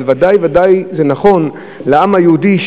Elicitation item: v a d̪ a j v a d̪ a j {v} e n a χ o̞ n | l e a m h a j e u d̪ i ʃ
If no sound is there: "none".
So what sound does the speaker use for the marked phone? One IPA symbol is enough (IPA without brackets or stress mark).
z